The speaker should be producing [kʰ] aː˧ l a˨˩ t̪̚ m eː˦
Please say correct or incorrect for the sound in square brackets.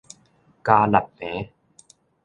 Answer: incorrect